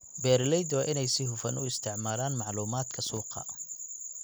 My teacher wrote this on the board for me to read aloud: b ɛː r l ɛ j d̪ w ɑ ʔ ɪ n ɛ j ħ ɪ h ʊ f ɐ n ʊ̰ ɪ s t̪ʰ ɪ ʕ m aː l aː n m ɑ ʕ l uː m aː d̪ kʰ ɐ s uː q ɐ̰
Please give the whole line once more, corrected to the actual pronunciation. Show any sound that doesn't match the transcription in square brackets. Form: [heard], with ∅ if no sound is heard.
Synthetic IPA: b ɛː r l ɛ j d̪ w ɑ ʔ ɪ n ɛ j [s] ɪ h ʊ f ɐ n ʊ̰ ɪ s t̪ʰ ɪ ʕ m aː l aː n m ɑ ʕ l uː m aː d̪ kʰ ɐ s uː q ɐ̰